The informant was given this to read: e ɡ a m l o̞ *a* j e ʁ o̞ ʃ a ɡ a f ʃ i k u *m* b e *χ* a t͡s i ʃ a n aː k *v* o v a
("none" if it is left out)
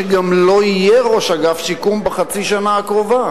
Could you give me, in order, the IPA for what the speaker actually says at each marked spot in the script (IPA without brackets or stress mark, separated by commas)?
i, m, χ, ʁ